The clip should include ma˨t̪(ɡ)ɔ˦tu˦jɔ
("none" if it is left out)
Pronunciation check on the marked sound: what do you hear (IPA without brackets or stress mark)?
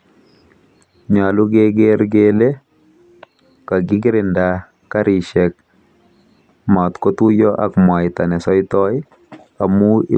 k